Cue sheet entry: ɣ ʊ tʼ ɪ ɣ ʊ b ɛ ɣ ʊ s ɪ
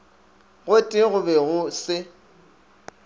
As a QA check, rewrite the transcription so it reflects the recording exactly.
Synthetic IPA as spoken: ɣ ʊ tʼ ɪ ɣ ʊ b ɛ ɣ ʊ s ɪ